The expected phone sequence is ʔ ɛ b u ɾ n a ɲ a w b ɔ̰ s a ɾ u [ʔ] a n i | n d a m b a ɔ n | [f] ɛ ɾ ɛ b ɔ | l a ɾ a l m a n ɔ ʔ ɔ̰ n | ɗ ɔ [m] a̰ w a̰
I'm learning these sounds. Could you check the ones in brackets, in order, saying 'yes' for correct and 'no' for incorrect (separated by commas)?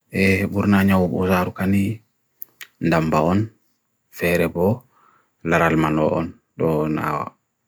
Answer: no, yes, no